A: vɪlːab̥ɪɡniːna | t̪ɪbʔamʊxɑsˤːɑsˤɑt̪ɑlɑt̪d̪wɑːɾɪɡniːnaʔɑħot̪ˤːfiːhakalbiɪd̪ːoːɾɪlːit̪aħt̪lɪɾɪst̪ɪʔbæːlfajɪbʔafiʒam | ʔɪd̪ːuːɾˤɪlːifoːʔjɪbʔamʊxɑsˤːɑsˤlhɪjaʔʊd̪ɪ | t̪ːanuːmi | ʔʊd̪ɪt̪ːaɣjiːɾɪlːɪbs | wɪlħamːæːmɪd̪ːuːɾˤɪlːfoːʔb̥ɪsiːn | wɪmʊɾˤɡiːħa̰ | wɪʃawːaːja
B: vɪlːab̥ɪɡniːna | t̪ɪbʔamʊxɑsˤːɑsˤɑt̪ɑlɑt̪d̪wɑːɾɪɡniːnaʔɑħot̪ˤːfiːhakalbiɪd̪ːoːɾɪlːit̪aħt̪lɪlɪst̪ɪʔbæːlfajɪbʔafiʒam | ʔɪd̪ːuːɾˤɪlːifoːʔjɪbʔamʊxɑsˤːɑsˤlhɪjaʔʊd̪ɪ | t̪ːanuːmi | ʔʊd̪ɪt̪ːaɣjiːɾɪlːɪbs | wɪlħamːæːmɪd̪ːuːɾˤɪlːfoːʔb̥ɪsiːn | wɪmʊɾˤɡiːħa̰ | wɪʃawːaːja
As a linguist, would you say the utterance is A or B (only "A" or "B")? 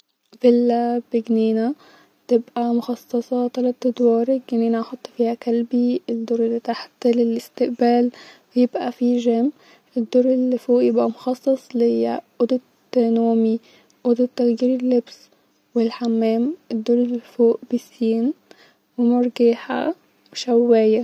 B